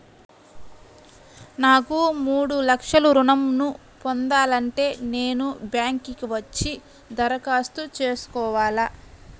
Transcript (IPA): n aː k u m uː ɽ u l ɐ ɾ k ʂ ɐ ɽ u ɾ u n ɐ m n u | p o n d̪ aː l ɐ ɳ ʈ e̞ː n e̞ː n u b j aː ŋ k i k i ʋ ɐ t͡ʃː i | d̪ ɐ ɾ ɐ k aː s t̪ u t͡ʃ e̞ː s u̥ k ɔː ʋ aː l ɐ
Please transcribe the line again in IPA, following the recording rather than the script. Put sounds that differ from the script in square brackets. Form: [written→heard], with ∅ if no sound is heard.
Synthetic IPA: n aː k u m uː ɽ u l ɐ [ɾ→∅] k ʂ ɐ [ɽ→l] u ɾ u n ɐ m n u | p o n d̪ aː l ɐ ɳ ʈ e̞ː n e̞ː n u b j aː ŋ k i k i ʋ ɐ t͡ʃː i | d̪ ɐ ɾ ɐ k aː s t̪ u t͡ʃ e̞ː s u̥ k ɔː ʋ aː l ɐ

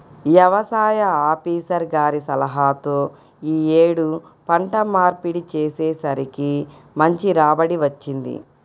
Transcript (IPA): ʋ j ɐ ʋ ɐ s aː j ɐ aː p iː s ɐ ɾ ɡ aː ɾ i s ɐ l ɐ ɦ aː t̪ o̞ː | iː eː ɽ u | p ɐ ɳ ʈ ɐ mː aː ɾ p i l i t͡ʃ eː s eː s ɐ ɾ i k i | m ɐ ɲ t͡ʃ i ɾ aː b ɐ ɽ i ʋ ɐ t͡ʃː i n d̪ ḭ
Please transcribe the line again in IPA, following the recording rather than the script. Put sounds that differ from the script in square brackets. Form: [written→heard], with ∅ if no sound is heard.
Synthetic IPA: ʋ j ɐ ʋ ɐ s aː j ɐ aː p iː s ɐ ɾ ɡ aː ɾ i s ɐ l ɐ ɦ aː t̪ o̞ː | iː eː ɽ u | p ɐ ɳ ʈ ɐ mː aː ɾ p i [l→ɽ] i t͡ʃ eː s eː s ɐ ɾ i k i | m ɐ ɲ t͡ʃ i ɾ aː b ɐ ɽ i ʋ ɐ t͡ʃː i n d̪ ḭ

